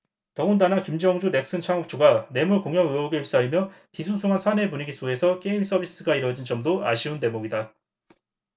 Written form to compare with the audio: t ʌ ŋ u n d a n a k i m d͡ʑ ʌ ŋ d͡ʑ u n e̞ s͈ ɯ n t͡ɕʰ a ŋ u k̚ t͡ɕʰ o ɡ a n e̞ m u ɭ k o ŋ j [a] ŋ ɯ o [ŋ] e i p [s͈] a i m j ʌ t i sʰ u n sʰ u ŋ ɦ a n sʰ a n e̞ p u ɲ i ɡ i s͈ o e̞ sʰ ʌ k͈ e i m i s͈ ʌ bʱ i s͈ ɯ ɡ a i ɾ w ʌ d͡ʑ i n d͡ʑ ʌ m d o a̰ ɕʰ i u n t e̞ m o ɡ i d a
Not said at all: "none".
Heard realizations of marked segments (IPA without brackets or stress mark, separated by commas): ʌ, ɡ, s͈